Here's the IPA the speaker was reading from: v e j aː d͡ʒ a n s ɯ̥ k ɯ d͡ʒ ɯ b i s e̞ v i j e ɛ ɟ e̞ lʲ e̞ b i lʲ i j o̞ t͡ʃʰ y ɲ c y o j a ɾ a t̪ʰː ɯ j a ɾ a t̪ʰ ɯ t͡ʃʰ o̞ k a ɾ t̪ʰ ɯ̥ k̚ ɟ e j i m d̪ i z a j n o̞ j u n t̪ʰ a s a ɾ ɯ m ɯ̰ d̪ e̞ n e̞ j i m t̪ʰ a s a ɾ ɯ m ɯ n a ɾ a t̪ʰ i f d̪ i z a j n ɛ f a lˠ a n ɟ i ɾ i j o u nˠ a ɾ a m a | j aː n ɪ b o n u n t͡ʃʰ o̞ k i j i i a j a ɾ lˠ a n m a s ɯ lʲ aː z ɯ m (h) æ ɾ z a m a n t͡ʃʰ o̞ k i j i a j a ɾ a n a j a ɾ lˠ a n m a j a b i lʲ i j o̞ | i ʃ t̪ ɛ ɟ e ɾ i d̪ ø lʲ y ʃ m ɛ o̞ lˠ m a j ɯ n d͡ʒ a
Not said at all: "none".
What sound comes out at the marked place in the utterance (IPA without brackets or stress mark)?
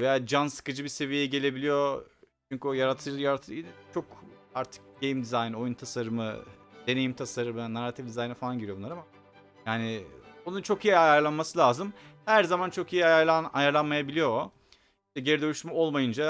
h